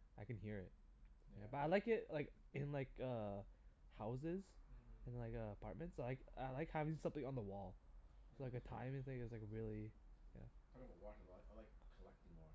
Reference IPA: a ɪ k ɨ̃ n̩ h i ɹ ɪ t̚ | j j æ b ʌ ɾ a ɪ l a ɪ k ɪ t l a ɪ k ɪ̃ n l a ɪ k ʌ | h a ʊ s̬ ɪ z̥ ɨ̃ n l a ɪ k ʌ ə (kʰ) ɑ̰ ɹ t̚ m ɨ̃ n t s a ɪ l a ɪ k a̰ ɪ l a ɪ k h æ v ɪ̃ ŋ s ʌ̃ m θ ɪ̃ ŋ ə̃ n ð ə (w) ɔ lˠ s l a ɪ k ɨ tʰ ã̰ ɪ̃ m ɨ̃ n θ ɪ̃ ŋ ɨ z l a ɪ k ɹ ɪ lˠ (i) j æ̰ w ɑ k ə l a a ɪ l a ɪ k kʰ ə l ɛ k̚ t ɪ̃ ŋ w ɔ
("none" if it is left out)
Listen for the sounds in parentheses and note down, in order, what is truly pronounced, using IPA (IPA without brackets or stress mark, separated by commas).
pʰ, w, i